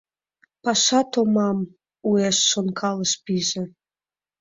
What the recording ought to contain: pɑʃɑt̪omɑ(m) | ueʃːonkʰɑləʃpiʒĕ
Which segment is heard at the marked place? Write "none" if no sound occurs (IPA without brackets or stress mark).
m